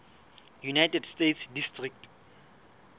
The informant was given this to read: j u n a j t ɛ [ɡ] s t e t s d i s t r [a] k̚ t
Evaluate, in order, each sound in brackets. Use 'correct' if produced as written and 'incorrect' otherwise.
incorrect, incorrect

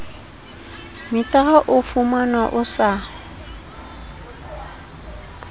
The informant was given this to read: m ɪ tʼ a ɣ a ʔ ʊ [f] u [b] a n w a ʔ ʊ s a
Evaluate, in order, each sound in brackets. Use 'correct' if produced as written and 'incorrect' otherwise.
correct, incorrect

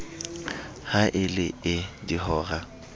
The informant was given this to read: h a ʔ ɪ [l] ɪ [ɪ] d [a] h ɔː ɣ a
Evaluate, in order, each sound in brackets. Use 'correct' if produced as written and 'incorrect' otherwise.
correct, correct, incorrect

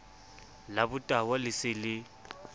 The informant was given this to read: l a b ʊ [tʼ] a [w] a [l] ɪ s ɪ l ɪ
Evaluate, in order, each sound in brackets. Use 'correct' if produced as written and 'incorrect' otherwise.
correct, correct, correct

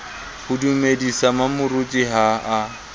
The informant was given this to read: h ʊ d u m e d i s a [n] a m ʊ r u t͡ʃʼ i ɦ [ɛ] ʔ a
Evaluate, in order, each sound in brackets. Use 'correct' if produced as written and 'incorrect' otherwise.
incorrect, incorrect

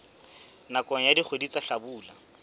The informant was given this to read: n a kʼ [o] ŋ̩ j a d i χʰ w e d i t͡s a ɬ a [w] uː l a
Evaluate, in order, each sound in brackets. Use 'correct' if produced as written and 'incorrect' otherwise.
incorrect, incorrect

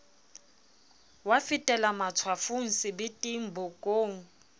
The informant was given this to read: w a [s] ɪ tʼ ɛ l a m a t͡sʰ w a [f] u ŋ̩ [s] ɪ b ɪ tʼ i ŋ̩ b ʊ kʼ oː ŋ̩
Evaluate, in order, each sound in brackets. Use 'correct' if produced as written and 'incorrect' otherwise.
incorrect, correct, correct

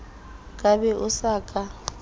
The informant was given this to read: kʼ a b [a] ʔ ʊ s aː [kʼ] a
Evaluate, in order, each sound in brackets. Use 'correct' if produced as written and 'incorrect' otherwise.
incorrect, correct

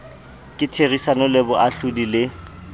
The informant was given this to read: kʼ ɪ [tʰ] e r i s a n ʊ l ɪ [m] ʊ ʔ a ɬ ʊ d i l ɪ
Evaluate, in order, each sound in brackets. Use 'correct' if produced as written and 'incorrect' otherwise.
correct, incorrect

